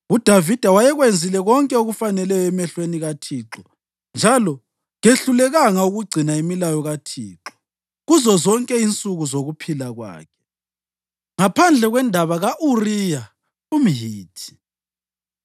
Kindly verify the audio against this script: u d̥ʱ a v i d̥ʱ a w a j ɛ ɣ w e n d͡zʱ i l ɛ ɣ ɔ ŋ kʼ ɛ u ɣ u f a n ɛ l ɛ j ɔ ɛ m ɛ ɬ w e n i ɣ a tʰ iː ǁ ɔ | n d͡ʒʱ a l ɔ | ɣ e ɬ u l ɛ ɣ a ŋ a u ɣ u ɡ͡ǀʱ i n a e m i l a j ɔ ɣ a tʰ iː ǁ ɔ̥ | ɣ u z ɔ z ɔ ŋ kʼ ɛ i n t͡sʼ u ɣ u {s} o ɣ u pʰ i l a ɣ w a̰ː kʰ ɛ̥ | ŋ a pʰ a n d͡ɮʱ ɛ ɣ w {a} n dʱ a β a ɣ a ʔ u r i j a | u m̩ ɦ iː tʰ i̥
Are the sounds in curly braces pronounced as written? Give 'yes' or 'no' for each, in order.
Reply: no, no

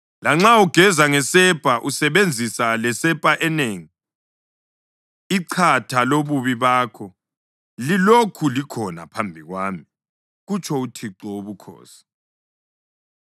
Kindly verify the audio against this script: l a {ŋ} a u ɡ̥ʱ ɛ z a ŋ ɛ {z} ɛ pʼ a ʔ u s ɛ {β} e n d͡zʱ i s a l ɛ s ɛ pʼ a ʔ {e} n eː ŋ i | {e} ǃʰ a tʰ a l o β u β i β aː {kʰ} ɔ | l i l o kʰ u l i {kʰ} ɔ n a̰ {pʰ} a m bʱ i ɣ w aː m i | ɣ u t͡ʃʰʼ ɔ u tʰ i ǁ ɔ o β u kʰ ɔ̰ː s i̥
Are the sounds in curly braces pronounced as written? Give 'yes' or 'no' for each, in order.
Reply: no, no, yes, no, no, yes, yes, yes

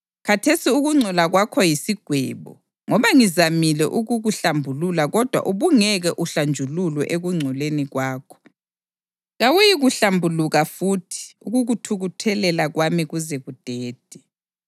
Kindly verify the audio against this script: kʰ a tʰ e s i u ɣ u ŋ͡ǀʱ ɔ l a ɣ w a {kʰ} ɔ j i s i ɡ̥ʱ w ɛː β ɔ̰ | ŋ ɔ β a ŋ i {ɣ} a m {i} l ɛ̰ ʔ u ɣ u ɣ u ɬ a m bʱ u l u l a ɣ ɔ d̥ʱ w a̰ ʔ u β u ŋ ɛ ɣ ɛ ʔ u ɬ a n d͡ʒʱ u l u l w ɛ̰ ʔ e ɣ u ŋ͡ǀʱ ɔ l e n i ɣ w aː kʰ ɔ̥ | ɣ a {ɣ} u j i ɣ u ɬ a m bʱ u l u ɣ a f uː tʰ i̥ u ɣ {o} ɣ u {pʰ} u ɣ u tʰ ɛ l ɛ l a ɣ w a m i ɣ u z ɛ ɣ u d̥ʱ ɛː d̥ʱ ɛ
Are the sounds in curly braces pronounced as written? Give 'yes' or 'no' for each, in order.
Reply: yes, no, yes, no, no, no

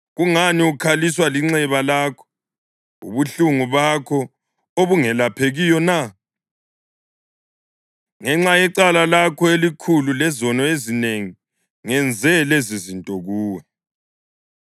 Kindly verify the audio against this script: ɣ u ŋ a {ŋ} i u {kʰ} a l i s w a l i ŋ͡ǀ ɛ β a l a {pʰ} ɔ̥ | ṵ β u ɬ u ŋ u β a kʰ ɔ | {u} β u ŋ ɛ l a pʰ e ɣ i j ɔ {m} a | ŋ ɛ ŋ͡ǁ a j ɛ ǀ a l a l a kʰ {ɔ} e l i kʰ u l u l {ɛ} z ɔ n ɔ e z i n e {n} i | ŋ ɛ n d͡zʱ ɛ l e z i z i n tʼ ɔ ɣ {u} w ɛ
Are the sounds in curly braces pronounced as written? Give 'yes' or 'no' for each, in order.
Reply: no, yes, no, no, no, yes, yes, no, no

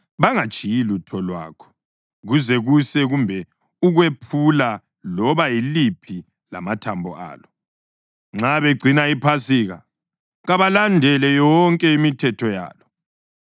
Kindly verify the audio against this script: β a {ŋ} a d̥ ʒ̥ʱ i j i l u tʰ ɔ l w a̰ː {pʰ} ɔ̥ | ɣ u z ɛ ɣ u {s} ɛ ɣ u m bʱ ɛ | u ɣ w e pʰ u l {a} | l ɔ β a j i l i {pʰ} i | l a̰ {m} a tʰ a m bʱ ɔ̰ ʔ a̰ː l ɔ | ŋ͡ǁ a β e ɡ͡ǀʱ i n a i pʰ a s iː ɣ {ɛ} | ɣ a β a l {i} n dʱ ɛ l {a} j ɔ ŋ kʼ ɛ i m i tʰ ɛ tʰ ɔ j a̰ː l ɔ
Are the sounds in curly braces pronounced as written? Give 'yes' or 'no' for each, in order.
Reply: yes, no, yes, yes, yes, yes, no, no, no

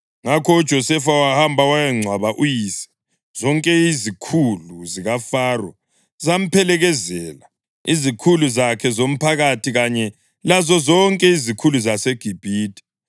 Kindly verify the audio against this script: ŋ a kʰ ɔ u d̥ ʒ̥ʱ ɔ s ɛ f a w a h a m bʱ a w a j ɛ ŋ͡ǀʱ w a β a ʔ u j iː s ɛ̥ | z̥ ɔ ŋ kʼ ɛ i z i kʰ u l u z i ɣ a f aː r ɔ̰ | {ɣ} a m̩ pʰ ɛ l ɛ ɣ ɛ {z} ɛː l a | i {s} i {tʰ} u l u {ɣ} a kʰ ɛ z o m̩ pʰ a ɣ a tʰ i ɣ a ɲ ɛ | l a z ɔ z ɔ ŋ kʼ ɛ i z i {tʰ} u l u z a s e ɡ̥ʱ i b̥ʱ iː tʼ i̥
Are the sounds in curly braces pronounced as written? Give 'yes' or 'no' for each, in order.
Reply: no, yes, no, no, no, no

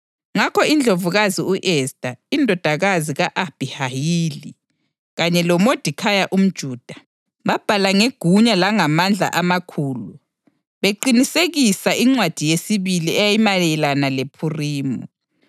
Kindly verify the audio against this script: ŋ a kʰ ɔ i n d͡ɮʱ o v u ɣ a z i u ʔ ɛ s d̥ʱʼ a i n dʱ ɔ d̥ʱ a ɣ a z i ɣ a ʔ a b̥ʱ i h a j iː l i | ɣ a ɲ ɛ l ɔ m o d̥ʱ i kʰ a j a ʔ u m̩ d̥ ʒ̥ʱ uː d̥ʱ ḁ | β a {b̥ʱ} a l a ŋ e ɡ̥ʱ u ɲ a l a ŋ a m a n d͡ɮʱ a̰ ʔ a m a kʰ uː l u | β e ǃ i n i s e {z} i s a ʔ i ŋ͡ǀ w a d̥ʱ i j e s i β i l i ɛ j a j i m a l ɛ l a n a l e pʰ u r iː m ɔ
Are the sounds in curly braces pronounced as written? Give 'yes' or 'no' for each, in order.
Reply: yes, no

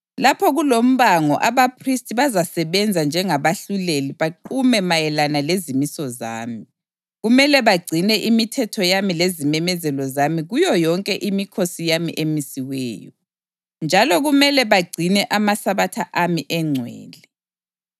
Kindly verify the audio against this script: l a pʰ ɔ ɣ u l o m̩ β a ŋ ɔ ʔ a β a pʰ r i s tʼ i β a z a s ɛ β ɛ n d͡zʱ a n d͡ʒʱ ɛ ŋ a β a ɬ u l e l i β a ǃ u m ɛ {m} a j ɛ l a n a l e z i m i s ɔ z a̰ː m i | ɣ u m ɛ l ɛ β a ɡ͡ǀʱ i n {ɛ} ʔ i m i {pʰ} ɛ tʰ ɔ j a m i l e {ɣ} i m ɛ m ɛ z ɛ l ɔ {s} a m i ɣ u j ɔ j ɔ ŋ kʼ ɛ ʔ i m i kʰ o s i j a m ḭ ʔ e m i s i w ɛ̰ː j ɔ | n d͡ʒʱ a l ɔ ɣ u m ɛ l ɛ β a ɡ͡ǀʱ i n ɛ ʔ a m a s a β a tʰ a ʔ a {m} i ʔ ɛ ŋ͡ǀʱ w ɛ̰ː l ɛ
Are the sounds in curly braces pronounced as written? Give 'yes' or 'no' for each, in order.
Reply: yes, yes, no, no, no, yes

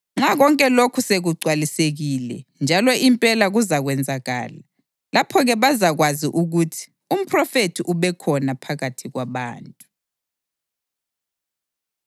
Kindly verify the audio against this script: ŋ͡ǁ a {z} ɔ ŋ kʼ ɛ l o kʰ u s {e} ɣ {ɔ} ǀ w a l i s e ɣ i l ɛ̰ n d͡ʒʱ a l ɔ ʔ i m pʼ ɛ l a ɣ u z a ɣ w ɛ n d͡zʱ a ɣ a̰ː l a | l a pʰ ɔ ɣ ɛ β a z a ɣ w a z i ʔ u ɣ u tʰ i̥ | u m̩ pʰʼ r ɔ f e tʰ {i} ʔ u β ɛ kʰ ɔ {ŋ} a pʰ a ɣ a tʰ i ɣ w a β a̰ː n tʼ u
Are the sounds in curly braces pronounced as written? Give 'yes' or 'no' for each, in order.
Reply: no, yes, no, yes, no

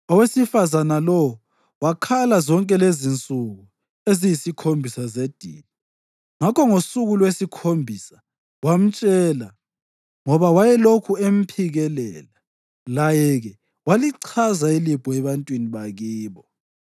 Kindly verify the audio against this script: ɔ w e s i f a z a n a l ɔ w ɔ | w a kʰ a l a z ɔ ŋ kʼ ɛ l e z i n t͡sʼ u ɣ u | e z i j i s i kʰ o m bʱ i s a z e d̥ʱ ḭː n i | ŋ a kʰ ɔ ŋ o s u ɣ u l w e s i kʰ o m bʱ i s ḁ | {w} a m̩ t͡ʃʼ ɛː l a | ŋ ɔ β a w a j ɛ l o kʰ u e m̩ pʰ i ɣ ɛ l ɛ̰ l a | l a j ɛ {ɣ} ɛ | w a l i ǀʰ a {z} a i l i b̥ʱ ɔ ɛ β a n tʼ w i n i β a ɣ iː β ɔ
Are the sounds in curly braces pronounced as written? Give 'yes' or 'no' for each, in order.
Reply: yes, yes, yes

